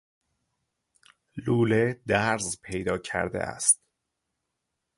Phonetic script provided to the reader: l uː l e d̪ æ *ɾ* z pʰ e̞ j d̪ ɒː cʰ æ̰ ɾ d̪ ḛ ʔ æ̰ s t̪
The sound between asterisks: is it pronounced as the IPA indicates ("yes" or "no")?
yes